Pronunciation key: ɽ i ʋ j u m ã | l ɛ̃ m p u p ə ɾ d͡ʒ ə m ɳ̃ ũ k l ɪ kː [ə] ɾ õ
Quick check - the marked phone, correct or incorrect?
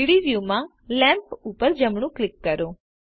correct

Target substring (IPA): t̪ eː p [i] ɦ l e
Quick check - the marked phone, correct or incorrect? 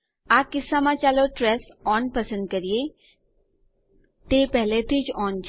incorrect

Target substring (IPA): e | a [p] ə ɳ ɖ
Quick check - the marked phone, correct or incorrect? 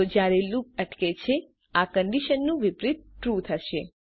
incorrect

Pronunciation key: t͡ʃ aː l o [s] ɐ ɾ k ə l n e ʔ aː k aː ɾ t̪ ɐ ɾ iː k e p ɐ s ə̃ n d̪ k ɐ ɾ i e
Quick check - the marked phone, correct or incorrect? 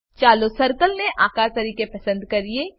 correct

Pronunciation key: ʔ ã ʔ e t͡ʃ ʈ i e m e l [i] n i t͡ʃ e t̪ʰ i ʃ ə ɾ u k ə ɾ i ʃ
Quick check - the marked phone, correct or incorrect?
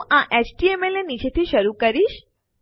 incorrect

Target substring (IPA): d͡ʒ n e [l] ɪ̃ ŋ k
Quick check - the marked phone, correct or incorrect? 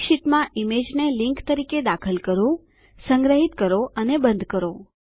correct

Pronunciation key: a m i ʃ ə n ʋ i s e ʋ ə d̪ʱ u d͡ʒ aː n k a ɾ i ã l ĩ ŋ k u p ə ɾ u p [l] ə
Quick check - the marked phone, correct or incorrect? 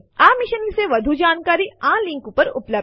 correct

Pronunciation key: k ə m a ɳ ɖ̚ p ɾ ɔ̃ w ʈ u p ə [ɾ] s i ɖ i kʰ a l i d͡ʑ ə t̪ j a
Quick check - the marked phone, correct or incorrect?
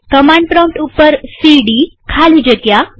correct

